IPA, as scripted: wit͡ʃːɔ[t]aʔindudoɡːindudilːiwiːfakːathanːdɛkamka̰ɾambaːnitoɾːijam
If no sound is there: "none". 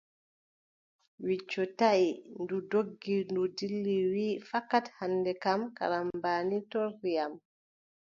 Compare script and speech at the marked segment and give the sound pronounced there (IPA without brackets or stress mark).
t